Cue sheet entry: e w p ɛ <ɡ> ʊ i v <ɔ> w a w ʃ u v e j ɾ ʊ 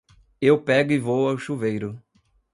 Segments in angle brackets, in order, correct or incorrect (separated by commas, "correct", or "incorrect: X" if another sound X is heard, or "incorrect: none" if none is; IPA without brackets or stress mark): correct, incorrect: o